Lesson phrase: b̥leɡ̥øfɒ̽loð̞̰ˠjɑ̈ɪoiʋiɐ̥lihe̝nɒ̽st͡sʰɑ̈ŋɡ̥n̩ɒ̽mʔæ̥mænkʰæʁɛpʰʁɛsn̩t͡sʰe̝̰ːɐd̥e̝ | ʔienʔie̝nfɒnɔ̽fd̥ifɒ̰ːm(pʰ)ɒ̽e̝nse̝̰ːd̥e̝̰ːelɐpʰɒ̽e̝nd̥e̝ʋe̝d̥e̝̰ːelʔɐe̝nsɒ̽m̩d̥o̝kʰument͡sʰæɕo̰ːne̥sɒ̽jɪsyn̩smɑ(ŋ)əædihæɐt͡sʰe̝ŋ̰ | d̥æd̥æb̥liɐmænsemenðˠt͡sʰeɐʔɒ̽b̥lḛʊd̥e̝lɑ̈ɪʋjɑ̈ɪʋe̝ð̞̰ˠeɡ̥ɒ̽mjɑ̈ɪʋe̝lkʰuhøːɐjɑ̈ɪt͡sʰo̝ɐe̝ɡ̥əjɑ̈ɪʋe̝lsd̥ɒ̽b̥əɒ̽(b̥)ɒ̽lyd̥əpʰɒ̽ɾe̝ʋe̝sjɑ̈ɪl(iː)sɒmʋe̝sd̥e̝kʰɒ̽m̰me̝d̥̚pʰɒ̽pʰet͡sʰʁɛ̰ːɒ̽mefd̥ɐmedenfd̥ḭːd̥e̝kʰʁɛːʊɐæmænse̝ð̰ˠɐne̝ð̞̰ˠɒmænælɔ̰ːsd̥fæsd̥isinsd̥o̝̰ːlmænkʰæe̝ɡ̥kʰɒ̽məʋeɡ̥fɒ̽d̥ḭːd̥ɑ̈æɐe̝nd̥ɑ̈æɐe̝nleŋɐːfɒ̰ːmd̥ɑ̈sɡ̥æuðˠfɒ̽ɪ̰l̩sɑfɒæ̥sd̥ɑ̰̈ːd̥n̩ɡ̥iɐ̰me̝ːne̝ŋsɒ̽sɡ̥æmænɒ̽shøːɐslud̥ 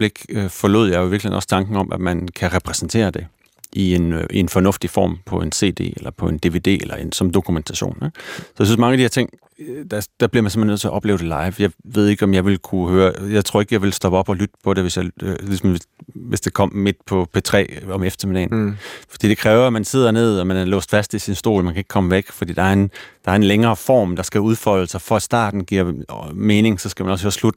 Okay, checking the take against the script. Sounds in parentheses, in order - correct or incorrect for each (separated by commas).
correct, correct, correct, incorrect